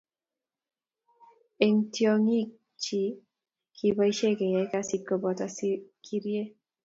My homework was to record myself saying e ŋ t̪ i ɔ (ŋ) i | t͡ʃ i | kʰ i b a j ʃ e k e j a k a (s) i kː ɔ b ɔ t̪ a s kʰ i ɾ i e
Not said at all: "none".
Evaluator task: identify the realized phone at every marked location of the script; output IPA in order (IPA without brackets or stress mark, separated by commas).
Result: ŋ, s